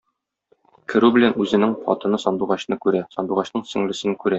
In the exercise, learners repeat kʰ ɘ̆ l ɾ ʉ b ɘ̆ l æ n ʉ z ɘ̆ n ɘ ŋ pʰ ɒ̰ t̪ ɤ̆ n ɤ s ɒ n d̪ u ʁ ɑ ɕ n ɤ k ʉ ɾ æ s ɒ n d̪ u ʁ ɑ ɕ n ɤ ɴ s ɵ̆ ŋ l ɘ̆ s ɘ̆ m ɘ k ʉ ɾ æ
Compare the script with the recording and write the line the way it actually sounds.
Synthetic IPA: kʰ ɘ̆ ɾ ʉ b ɘ̆ l æ n ʉ z ɘ̆ n ɘ ŋ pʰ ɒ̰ t̪ ɤ̆ n ɤ s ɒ n d̪ u ʁ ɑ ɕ n ɤ k ʉ ɾ æ s ɒ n d̪ u ʁ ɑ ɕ n ɤ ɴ s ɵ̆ ŋ l ɘ̆ s ɘ̆ n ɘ k ʉ ɾ æ